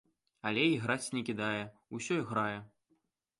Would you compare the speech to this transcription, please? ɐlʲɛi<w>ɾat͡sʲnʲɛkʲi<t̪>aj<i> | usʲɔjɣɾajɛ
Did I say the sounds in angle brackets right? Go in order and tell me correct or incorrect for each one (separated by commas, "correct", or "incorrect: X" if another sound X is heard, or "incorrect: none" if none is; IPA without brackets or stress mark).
incorrect: ɣ, incorrect: d̪, incorrect: ɛ